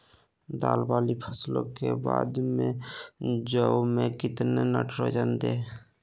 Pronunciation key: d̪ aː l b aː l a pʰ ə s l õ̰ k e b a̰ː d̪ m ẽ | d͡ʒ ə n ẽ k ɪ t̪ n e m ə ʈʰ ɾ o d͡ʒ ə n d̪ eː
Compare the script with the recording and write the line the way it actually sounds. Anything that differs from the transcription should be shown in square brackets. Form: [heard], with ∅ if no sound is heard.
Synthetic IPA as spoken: d̪ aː l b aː l [i] pʰ ə s l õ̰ k e b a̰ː d̪ m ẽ | d͡ʒ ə [m] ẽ k ɪ t̪ n e [n] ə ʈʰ ɾ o d͡ʒ ə n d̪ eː